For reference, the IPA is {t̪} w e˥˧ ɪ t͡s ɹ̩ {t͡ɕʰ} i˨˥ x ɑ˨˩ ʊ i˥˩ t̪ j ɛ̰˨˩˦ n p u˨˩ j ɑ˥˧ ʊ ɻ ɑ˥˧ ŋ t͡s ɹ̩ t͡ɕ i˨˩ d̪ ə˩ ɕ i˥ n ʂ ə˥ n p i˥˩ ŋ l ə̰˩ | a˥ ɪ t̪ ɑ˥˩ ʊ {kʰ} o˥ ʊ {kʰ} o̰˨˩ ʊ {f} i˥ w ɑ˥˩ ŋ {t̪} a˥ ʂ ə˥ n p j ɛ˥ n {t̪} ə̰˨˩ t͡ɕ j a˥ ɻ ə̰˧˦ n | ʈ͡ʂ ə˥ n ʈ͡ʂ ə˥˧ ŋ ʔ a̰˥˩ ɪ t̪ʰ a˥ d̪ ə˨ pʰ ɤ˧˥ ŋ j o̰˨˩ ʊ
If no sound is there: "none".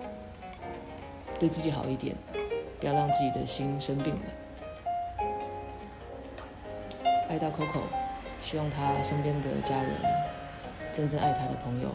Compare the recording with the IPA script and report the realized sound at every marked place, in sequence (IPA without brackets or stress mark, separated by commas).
t̪, t͡ɕ, kʰ, kʰ, ɕ, t̪ʰ, d̪